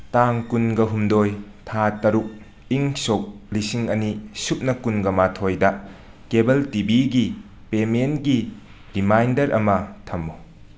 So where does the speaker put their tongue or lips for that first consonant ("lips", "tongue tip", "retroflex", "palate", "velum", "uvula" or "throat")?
tongue tip